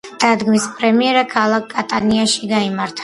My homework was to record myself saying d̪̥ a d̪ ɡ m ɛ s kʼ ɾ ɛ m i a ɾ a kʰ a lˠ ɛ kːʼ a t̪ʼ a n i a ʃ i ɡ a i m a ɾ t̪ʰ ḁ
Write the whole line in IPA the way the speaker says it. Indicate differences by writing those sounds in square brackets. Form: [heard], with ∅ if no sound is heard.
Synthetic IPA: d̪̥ a d̪ ɡ m [i] s [pʼ] ɾ ɛ m i [ɛ] ɾ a kʰ a lˠ [a] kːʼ a t̪ʼ a n i a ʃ i ɡ a i m a ɾ t̪ʰ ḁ